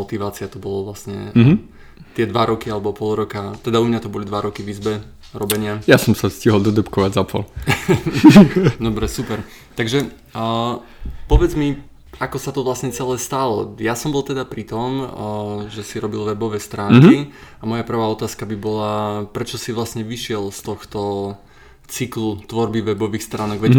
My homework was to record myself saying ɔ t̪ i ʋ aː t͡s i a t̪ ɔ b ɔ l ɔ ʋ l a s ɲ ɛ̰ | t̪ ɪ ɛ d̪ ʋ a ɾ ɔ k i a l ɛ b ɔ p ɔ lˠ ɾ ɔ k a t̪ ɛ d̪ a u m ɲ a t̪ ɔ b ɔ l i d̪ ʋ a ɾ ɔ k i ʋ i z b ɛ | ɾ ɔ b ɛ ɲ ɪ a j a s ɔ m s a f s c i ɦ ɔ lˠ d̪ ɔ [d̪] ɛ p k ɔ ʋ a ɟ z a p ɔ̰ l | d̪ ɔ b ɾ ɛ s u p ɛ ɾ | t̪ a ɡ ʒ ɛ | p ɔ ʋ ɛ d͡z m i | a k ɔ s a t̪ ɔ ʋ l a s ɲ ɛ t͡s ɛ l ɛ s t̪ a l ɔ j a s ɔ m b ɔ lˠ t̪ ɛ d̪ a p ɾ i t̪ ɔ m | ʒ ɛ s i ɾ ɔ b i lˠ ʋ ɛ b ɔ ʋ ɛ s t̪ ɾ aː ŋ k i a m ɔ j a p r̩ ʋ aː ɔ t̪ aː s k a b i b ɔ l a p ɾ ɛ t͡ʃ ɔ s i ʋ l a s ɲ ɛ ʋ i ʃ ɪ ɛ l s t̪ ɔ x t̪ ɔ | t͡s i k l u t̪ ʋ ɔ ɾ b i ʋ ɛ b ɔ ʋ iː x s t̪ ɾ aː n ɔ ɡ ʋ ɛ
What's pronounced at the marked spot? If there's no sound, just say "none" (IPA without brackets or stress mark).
d̪